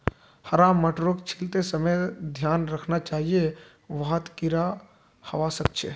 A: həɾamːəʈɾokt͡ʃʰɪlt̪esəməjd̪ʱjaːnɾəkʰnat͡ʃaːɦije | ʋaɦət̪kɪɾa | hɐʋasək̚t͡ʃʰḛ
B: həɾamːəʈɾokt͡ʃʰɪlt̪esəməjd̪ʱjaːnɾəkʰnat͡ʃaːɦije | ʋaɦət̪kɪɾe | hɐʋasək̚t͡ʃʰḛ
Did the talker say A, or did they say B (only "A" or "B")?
A